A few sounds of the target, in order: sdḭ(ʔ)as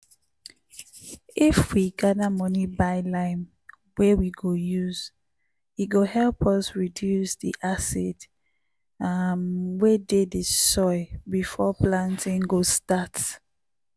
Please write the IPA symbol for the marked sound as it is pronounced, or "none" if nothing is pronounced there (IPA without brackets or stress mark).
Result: ʔ